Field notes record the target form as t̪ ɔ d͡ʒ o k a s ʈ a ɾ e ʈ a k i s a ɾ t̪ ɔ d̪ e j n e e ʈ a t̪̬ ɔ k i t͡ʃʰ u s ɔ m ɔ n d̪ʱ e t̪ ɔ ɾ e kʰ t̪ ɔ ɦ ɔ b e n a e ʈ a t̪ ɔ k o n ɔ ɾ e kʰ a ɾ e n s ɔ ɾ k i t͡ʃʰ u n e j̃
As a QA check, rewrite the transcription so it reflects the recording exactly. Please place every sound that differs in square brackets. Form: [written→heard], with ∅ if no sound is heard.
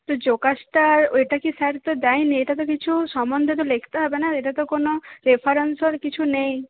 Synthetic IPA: t̪ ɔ d͡ʒ o k a s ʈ a ɾ e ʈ a k i s a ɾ t̪ ɔ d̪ [e→a] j n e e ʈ a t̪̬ ɔ k i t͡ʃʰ u s ɔ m ɔ n d̪ʱ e t̪ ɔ [ɾ→l] e kʰ t̪ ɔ ɦ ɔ b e n a e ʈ a t̪ ɔ k o n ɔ ɾ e [kʰ→pʰ] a ɾ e n s ɔ ɾ k i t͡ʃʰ u n e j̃

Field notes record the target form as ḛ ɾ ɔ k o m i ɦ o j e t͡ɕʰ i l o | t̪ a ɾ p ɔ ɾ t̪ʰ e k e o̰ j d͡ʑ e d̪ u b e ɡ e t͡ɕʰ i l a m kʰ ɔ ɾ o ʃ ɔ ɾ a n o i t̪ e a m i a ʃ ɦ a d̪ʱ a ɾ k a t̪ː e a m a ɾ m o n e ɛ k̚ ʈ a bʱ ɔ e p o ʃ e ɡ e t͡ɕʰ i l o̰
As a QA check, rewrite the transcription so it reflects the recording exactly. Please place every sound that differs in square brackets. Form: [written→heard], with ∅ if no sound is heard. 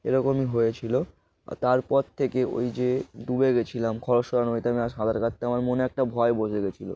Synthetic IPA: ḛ ɾ ɔ k o m i ɦ o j e t͡ɕʰ i l o | t̪ a ɾ p ɔ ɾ t̪ʰ e k e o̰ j d͡ʑ e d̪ u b e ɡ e t͡ɕʰ i l a m kʰ ɔ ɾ o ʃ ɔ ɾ a n o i t̪ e a m i a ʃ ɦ a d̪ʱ a ɾ k a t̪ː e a m a ɾ m o n e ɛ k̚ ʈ a bʱ ɔ e [p→b] o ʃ e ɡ e t͡ɕʰ i l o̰

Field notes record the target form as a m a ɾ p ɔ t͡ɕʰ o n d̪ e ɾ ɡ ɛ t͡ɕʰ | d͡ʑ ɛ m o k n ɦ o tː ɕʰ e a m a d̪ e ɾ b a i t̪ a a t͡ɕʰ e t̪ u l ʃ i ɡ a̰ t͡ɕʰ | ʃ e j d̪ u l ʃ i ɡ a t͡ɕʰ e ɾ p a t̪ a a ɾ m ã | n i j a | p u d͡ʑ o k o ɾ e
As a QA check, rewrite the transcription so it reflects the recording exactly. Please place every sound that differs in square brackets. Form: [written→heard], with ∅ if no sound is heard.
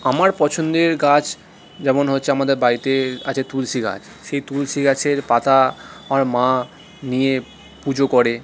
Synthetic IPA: a m a ɾ p ɔ t͡ɕʰ o n d̪ e ɾ ɡ [ɛ→a] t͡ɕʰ | d͡ʑ ɛ m o [k→∅] n ɦ o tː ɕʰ e a m a d̪ e ɾ b a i t̪ [a→e] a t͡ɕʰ e t̪ u l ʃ i ɡ a̰ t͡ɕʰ | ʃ e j [d̪→t̪] u l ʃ i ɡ a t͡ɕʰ e ɾ p a t̪ a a ɾ m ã | n i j [a→e] | p u d͡ʑ o k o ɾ e

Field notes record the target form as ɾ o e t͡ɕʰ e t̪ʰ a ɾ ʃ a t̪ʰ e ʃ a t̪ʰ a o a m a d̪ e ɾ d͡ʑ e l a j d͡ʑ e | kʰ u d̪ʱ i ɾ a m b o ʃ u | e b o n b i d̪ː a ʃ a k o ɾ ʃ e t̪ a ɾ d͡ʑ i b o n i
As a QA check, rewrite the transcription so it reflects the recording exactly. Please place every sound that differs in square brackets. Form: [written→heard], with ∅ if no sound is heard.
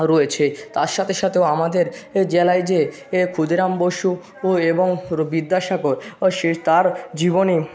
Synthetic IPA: ɾ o e t͡ɕʰ e [t̪ʰ→t̪] a ɾ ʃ a t̪ʰ e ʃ a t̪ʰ [a→e] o a m a d̪ e ɾ d͡ʑ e l a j d͡ʑ e | kʰ u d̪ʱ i ɾ a m b o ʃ u | e b o [n→ŋ] b i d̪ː a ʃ a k o ɾ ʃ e t̪ a ɾ d͡ʑ i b o n i

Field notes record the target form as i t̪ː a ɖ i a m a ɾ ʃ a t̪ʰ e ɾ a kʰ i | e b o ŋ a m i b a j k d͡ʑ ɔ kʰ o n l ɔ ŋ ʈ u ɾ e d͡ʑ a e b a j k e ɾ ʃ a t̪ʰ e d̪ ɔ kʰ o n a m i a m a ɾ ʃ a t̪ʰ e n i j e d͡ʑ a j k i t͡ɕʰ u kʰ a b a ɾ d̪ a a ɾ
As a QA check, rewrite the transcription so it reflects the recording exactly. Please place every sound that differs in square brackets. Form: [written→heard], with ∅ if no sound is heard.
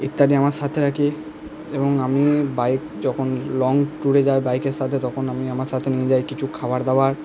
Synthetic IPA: i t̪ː a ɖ i a m a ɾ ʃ a t̪ʰ e ɾ a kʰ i | e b o ŋ a m i b a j k d͡ʑ ɔ kʰ o n l ɔ ŋ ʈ u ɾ e d͡ʑ a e b a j k e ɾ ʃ a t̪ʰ e [d̪→t̪] ɔ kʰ o n a m i a m a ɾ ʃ a t̪ʰ e n i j e d͡ʑ a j k i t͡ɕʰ u kʰ a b a ɾ d̪ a a ɾ

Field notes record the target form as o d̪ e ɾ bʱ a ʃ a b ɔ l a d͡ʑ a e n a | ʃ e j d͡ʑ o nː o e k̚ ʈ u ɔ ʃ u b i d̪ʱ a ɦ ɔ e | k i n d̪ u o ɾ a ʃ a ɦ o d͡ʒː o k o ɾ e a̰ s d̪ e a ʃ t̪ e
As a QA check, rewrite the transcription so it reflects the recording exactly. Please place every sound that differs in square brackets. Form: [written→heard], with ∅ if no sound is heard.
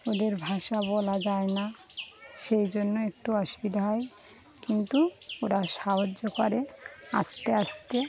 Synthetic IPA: o d̪ e ɾ bʱ a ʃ a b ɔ l a d͡ʑ a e n a | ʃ e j d͡ʑ o nː o e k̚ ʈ u ɔ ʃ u b i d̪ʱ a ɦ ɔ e | k i n [d̪→t̪] u o ɾ a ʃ a ɦ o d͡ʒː o k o ɾ e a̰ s [d̪→t̪] e a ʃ t̪ e

